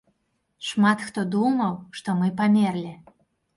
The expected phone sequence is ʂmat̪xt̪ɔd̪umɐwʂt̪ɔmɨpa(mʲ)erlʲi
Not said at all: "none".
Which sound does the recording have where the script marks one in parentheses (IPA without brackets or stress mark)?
mʲ